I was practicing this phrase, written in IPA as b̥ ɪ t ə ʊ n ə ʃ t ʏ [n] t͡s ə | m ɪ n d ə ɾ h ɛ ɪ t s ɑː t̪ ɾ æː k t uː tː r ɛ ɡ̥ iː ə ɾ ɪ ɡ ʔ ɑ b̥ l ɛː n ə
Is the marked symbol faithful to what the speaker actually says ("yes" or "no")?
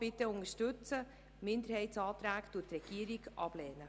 no